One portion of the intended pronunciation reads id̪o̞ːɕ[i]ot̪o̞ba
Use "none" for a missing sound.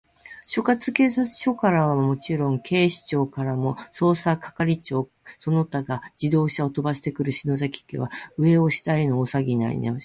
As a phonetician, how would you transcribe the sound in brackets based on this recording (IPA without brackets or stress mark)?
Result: a